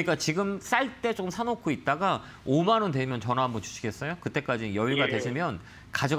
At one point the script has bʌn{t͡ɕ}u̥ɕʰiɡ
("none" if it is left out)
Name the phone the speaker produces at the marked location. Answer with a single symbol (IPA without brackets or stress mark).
t͡ɕ